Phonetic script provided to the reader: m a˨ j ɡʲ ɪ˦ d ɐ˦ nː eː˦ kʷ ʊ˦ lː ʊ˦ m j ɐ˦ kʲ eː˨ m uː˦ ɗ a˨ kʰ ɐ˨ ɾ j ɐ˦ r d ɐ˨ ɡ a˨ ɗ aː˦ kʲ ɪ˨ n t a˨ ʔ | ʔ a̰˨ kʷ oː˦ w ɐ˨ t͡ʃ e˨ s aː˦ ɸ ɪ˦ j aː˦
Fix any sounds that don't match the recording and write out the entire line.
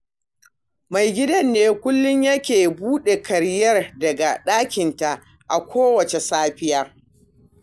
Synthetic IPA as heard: m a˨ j ɡʲ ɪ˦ d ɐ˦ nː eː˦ kʷ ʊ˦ lː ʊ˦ ɲ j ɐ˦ kʲ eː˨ b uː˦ ɗ e˨ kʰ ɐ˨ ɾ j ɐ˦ r d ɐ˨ ɡ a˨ ɗ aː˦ kʲ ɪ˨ n t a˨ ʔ | ʔ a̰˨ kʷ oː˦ w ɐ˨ t͡ʃ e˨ s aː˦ ɸ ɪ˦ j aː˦